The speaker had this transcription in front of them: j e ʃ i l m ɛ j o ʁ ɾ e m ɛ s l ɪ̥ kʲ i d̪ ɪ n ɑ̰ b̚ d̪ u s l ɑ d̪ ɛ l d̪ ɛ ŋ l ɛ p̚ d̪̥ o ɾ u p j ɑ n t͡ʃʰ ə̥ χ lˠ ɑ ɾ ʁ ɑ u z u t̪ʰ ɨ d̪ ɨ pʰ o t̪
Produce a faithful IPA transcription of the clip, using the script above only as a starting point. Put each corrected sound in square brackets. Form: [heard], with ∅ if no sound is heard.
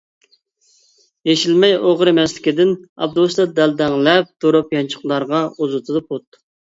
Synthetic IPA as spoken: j e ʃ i l m ɛ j o ʁ ɾ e m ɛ s l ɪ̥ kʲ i d̪ ɪ n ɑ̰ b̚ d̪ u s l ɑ d̪ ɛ l d̪ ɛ ŋ l ɛ p̚ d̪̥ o ɾ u p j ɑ n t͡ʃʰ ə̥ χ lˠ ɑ ɾ ʁ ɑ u z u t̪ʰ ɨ d̪ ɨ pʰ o t̪